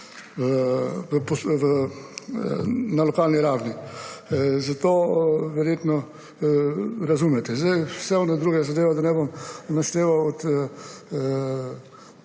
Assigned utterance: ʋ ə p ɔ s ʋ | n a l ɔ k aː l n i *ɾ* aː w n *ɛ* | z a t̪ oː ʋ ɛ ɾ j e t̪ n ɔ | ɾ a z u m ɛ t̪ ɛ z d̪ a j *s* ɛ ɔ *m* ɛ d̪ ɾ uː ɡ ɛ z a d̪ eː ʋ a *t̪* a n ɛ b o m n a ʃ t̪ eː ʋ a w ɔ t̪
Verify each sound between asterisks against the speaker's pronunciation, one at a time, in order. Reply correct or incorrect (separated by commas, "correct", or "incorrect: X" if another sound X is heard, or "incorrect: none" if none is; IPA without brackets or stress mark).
correct, incorrect: i, correct, incorrect: n, incorrect: d̪